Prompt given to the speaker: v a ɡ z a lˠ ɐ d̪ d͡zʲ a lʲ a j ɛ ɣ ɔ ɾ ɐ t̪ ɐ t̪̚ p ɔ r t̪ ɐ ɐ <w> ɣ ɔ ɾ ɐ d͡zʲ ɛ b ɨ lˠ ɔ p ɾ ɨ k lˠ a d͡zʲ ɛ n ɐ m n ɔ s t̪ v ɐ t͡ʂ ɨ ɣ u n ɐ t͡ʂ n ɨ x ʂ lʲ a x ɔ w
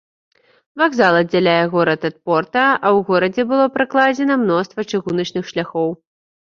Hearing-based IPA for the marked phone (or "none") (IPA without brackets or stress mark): w